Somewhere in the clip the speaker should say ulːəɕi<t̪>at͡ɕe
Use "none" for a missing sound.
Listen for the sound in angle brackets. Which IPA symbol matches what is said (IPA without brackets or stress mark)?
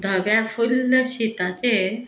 t̪